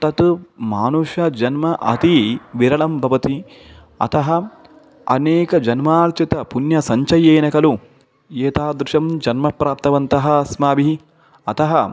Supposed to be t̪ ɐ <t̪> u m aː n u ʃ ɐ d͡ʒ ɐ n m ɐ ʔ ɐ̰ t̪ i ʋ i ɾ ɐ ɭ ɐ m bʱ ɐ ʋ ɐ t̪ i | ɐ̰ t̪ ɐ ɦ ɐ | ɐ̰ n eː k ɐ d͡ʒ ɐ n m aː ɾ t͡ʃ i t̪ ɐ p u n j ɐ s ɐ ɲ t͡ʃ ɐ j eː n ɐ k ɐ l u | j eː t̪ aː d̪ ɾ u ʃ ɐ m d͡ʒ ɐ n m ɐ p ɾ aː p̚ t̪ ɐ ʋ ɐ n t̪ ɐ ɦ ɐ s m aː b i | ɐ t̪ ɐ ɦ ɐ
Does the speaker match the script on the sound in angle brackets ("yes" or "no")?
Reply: yes